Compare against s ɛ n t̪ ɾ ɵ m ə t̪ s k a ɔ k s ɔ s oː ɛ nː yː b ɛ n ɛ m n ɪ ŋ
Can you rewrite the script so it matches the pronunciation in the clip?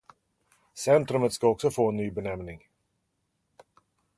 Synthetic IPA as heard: s ɛ n t̪ ɾ ɵ m ə t̪ s k a ɔ k s ɔ f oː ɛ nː yː b ɛ n ɛ m n ɪ ŋ

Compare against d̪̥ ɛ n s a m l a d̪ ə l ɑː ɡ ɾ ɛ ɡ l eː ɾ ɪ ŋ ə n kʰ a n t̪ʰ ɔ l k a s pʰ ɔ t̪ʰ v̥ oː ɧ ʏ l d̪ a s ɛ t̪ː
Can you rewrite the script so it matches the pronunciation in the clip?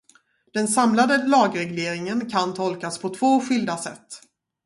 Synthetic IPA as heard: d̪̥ ɛ n s a m l a d̪ ə l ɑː ɡ ɾ ɛ ɡ l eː ɾ ɪ ŋ ə n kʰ a n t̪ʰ ɔ l k a s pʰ ɔ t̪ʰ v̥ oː ɧ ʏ l d̪ a s ɛ t̪ː

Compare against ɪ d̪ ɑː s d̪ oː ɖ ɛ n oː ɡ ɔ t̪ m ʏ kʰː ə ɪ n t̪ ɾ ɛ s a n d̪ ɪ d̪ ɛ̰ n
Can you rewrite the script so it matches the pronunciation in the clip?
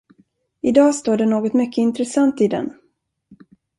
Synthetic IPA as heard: ɪ d̪ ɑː s t̪ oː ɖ ɛ n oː ɡ ɔ t̪ m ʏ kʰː ə ɪ n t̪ ɾ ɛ s a n t̪ ɪ d̪ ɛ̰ n

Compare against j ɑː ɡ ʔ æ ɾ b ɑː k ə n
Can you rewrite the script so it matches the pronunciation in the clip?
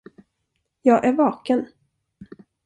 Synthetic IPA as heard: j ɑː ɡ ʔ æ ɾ v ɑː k ə n

